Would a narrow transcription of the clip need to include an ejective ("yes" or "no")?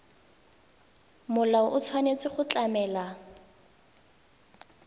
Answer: no